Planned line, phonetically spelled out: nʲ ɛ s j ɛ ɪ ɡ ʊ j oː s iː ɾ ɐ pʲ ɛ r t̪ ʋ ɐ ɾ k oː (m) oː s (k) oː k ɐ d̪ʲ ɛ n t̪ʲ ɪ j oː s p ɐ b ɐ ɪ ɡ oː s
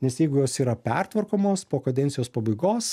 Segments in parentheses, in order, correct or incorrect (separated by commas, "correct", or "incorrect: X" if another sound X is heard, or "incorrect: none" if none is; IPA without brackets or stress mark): correct, incorrect: p